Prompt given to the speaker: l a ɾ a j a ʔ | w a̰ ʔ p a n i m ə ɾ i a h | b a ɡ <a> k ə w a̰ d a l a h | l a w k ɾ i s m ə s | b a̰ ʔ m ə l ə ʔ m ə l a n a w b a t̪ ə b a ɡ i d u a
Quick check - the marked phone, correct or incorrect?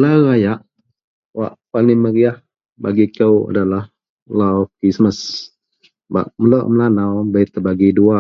incorrect